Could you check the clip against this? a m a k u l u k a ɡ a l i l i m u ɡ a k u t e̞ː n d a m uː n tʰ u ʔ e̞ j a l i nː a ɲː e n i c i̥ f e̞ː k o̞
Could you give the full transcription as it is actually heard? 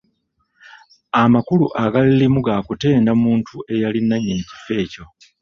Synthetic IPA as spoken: a m a k u l u ʔ a ɡ a l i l i m u ɡ a k u t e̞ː n d a m uː n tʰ u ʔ e̞ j a l i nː a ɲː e n i c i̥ f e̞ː c o̞